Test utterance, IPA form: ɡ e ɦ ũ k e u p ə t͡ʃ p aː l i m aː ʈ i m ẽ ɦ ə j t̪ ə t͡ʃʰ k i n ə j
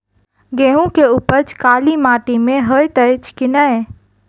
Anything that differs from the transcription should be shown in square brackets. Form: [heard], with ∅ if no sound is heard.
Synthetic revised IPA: ɡ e ɦ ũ k e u p ə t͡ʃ [k] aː l i m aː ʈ i m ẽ ɦ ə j t̪ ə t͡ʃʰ k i n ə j

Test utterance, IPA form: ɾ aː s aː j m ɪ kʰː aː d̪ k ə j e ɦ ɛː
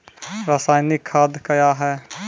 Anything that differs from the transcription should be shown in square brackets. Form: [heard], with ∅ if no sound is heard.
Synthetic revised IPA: ɾ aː s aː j [n] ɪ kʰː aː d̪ k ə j [a] ɦ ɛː

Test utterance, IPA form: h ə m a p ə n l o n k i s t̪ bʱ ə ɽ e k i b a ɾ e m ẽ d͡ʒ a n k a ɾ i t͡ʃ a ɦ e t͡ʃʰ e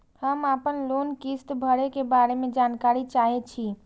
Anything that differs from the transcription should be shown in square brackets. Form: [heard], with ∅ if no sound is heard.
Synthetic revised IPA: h ə m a p ə n l o n k i s t̪ bʱ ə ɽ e k [e] b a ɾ e m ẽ d͡ʒ a n k a ɾ i t͡ʃ a ɦ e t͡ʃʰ [i]

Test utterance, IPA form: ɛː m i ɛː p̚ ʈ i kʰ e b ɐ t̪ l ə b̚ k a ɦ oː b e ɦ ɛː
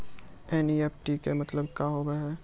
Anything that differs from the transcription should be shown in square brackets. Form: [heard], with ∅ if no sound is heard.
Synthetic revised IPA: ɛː [n] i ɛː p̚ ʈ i [k] e [m] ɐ t̪ l ə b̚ k a ɦ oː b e ɦ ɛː

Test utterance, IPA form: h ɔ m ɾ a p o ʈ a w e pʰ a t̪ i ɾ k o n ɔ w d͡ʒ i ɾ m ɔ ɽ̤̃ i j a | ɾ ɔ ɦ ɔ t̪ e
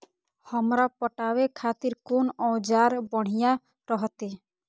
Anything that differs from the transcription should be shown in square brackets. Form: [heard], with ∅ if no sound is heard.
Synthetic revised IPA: h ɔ m ɾ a p [ɔ] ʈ a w e [kʰ] a t̪ i ɾ k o n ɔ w d͡ʒ [a] ɾ [b] ɔ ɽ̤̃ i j a | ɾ ɔ ɦ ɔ t̪ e

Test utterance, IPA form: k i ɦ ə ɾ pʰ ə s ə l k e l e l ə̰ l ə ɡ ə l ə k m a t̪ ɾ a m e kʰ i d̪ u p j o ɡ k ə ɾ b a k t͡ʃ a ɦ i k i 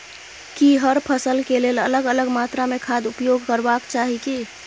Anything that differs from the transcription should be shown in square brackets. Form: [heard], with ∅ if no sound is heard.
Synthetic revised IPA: k i ɦ ə ɾ pʰ ə s ə l k e l e l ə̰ l ə ɡ ə l ə [ɡ] m a t̪ ɾ a m e kʰ [a] d̪ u p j o ɡ k ə ɾ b a k t͡ʃ a ɦ i k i

